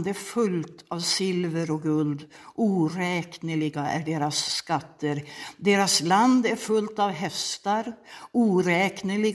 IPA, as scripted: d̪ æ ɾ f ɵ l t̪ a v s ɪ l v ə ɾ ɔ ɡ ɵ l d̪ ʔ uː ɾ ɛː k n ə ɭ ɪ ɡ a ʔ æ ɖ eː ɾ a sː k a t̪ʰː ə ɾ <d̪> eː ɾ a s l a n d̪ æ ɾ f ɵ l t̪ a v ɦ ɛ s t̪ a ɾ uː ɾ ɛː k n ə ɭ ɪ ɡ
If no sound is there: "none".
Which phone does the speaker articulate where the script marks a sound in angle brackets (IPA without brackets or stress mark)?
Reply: d̪